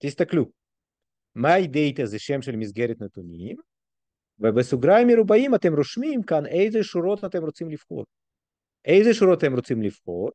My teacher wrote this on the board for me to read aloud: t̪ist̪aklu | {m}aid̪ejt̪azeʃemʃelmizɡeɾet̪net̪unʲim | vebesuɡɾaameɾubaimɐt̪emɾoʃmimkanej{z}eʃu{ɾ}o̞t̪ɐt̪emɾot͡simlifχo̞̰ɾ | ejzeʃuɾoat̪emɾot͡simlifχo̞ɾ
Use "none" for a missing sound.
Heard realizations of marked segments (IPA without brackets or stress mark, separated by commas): m, z, ɾ